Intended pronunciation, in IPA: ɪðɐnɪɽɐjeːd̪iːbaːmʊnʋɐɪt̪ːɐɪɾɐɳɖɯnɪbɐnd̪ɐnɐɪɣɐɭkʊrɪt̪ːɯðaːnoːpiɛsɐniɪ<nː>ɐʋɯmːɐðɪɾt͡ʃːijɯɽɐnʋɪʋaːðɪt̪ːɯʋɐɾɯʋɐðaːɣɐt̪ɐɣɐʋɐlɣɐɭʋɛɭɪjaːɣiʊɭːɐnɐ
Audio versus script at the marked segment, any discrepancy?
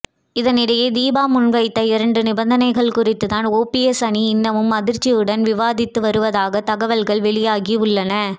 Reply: no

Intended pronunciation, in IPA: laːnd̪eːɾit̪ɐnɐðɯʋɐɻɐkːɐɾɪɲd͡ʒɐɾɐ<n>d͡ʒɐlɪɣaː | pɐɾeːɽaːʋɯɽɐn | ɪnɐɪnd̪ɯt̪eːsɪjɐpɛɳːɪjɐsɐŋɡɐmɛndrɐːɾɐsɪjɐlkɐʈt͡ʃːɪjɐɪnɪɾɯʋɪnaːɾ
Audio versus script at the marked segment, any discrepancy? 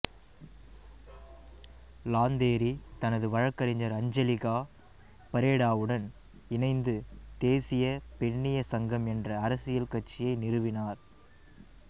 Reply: yes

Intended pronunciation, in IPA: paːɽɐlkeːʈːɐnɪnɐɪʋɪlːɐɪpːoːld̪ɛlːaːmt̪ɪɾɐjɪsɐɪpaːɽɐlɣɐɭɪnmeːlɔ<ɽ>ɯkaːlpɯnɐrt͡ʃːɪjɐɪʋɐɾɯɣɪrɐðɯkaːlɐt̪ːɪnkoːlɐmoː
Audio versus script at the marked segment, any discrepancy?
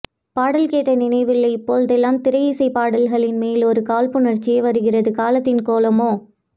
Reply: yes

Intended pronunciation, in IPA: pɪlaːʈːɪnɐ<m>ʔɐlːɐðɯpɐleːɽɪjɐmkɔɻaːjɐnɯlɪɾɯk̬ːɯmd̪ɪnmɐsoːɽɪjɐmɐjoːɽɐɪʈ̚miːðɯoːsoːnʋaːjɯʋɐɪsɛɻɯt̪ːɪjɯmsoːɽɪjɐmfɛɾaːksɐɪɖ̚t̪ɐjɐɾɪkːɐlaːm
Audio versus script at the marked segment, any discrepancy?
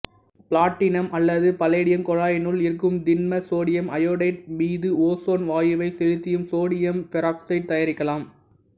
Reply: no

